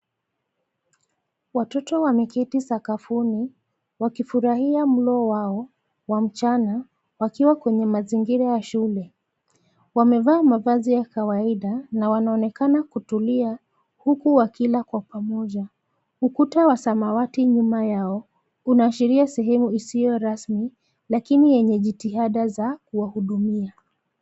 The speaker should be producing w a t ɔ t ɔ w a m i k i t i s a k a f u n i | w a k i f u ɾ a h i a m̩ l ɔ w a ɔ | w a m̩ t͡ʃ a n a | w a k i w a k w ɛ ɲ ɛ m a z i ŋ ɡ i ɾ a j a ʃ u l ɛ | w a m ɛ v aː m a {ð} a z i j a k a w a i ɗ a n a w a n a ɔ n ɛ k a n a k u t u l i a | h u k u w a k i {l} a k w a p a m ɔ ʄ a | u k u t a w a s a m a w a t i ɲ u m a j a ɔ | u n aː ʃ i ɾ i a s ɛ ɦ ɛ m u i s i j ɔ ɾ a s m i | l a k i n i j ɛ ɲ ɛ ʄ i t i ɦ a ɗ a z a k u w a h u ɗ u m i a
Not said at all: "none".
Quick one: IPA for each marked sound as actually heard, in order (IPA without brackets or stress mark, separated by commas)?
v, l